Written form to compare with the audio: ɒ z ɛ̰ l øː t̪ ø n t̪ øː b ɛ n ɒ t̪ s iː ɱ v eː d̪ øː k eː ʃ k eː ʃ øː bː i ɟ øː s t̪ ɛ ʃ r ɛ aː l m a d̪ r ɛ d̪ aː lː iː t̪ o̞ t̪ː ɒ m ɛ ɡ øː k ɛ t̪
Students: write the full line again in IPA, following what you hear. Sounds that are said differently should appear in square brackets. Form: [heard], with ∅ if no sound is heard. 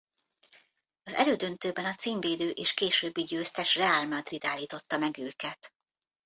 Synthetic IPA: ɒ z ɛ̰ l øː [d̪] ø n t̪ øː b ɛ n ɒ t̪ s iː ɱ v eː d̪ øː [ʔ] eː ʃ k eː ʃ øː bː i ɟ øː s t̪ ɛ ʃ r ɛ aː l m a d̪ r [i] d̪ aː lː iː t̪ o̞ t̪ː ɒ m ɛ ɡ øː k ɛ t̪